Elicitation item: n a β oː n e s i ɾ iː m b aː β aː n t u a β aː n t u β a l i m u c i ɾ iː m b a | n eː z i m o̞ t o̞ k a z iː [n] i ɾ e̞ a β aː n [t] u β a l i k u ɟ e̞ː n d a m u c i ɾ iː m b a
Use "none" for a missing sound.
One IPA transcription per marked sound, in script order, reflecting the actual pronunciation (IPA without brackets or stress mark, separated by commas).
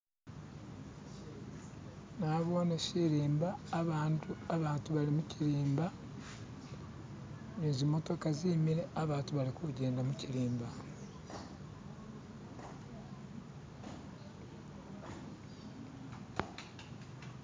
m, t